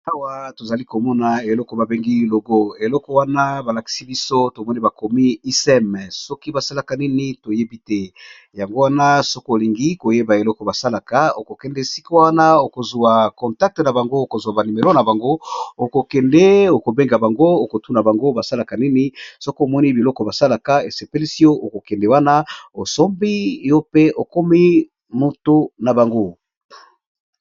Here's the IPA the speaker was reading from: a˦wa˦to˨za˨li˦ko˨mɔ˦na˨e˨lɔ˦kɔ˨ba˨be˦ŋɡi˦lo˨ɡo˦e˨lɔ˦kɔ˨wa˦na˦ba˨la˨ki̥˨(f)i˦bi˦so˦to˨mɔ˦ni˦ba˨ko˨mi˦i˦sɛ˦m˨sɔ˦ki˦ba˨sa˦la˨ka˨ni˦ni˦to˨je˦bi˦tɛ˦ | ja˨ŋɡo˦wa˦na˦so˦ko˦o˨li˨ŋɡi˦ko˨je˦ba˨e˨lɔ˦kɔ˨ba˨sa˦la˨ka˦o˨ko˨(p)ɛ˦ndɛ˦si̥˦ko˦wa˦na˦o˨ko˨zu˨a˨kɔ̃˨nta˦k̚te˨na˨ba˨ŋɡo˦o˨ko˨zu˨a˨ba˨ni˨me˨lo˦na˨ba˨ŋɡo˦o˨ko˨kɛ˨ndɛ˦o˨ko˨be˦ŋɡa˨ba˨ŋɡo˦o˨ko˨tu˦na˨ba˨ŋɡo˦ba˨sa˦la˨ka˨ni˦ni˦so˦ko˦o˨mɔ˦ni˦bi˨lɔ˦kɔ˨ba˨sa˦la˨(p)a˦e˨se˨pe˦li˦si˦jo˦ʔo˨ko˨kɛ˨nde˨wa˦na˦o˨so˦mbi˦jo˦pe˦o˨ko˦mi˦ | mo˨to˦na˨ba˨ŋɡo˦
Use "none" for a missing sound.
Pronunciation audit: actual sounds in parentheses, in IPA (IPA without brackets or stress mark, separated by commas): s, k, k